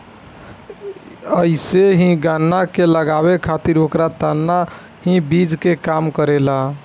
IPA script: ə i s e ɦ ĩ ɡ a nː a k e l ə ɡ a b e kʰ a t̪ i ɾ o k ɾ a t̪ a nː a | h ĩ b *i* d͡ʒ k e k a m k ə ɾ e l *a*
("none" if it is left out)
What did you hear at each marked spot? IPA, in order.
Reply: i, a

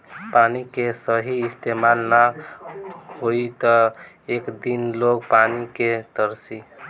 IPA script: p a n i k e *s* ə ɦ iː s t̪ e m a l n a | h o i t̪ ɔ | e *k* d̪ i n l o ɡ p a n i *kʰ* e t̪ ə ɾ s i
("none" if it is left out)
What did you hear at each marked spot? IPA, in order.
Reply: s, k, k

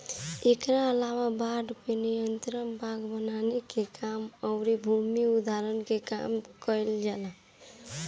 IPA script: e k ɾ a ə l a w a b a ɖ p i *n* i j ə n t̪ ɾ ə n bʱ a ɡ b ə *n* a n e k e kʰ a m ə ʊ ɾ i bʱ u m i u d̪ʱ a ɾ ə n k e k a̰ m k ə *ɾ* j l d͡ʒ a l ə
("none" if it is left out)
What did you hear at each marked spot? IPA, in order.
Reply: n, n, none

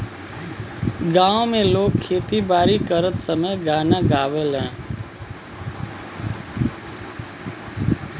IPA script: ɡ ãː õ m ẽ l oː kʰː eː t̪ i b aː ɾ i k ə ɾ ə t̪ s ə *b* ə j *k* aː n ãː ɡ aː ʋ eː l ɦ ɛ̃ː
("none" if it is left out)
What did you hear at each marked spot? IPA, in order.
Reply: m, ɡ

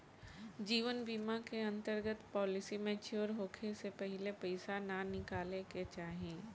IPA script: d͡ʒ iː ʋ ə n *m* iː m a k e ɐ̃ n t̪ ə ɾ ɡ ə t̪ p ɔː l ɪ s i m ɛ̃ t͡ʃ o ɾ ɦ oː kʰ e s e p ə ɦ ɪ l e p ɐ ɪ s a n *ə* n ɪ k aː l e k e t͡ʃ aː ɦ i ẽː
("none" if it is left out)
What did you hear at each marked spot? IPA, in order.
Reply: b, a

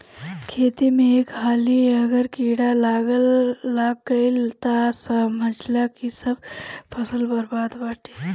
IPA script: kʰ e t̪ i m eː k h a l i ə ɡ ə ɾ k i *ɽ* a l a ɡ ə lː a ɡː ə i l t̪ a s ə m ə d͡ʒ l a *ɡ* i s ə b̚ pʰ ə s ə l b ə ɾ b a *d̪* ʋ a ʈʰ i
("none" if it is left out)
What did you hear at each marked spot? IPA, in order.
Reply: ɽ, k, d̪

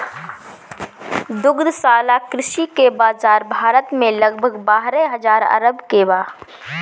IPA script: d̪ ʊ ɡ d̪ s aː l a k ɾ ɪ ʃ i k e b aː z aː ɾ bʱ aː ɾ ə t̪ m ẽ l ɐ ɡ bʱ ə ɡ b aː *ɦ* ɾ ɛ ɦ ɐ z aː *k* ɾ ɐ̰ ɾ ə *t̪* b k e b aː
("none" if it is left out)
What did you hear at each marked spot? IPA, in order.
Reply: ɦ, none, none

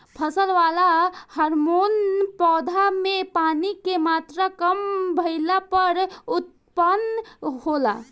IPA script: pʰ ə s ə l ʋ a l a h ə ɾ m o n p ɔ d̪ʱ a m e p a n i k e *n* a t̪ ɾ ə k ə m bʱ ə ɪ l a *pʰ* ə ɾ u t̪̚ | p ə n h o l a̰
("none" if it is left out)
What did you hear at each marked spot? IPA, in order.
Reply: m, p

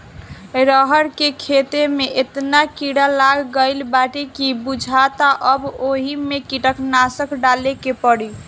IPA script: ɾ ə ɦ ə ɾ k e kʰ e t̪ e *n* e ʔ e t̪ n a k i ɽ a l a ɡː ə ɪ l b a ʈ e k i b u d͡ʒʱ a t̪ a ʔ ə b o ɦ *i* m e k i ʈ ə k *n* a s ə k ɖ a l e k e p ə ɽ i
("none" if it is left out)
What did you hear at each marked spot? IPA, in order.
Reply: m, i, n

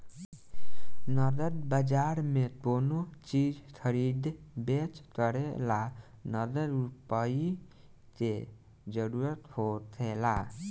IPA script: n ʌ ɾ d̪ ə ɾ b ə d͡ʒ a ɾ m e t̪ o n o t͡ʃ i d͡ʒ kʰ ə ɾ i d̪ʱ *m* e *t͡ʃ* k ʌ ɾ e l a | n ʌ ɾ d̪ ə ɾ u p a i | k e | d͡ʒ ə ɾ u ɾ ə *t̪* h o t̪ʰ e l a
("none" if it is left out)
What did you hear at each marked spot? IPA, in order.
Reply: b, t͡ʃ, t̪

